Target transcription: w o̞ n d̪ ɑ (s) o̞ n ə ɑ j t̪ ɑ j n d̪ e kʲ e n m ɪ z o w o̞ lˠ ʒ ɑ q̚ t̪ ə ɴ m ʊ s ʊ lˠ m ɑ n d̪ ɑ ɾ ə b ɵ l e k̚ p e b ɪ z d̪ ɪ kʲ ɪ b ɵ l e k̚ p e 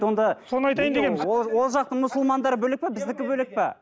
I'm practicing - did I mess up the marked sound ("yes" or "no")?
no